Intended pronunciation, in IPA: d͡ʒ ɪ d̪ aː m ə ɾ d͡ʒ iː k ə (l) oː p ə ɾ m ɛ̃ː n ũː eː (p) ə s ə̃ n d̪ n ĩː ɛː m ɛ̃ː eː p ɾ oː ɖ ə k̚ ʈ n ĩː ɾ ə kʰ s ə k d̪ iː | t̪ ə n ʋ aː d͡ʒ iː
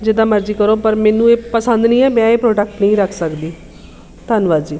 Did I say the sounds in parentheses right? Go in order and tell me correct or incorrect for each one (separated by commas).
incorrect, correct